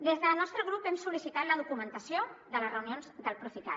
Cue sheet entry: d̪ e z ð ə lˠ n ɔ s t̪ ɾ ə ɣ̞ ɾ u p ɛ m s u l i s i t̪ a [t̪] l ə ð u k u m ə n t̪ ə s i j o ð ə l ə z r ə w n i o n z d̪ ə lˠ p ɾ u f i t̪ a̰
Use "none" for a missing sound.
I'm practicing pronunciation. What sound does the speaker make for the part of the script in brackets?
t̪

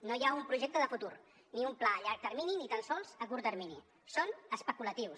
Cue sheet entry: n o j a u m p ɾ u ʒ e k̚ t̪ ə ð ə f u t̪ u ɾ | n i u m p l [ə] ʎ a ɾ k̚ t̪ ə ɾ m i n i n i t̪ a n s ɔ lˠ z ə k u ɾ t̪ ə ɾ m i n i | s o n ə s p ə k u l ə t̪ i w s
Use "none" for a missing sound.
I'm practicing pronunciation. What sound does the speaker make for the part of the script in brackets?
a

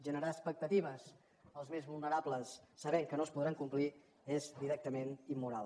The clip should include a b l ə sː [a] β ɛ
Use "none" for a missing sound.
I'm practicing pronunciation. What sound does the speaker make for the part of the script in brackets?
ə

